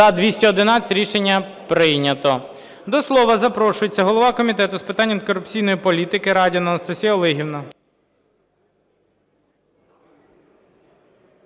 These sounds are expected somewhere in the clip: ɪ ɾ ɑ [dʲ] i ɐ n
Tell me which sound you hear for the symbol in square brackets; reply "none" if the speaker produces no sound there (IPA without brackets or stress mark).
dʲ